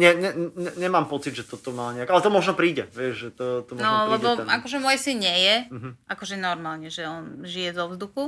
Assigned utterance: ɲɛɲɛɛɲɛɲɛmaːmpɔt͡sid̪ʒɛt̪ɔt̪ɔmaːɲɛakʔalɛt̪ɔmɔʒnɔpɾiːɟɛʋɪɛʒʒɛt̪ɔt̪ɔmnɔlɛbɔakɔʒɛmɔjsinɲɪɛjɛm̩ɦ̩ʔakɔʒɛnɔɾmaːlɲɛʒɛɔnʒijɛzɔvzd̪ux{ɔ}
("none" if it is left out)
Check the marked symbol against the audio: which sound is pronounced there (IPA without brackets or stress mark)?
u